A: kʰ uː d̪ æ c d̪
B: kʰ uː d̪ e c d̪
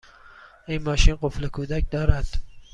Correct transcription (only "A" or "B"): A